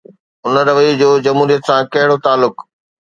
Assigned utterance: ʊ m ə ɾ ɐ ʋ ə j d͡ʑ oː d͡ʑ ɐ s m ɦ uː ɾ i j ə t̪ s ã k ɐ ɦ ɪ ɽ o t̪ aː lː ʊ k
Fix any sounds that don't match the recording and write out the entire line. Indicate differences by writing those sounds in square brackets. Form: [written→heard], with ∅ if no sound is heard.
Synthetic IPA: ʊ [m→n] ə ɾ ɐ ʋ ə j d͡ʑ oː d͡ʑ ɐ [s→∅] m ɦ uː ɾ i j ə t̪ s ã k ɐ ɦ ɪ ɽ o t̪ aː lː ʊ k